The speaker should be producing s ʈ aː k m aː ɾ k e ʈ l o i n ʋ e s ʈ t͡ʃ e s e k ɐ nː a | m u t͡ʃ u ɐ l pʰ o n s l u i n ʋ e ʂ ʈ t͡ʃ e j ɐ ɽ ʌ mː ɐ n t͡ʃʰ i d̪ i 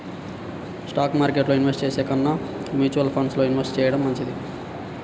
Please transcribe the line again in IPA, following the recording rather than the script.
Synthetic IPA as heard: s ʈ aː k m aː ɾ k e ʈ l o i n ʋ e s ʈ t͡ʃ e s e k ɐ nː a | m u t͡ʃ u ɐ l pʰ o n s l o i n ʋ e s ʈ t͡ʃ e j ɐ ɽ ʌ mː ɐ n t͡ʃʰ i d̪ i